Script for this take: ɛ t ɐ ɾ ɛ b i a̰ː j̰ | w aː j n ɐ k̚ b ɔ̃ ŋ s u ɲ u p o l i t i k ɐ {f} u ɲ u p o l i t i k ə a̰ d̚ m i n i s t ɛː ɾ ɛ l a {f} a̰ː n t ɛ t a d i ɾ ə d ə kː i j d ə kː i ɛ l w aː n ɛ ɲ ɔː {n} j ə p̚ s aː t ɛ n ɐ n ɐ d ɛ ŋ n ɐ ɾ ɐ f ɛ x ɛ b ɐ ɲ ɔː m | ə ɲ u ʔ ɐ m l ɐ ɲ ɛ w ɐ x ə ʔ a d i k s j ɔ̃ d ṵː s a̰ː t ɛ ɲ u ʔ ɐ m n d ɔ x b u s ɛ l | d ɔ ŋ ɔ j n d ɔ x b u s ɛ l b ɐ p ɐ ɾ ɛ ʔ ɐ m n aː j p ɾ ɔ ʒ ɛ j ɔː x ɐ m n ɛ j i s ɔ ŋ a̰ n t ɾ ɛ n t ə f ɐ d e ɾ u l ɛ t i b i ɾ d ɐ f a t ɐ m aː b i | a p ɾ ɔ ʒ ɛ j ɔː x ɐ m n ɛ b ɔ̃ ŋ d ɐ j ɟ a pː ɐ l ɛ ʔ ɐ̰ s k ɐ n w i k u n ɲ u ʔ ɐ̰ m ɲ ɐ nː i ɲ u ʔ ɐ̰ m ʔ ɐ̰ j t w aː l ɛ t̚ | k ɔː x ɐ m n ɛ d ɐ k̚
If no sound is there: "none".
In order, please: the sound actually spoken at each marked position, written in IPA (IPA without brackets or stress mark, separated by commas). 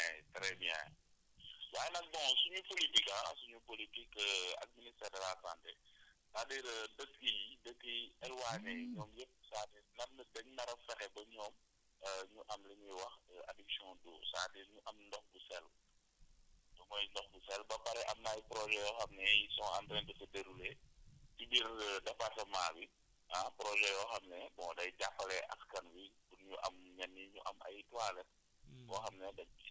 s, s, m